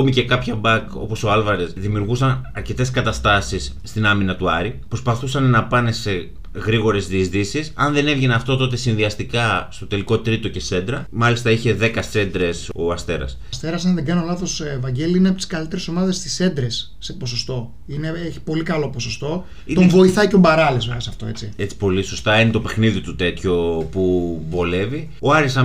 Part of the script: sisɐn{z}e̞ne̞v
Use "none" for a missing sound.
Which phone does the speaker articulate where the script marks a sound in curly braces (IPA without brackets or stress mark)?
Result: ð